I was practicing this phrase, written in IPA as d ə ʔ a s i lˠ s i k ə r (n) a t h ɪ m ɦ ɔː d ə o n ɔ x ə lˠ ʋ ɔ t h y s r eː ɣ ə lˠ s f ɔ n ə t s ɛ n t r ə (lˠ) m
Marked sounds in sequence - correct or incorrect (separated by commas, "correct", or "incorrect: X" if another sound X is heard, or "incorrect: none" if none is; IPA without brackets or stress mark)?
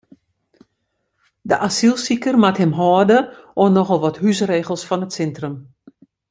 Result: incorrect: m, incorrect: none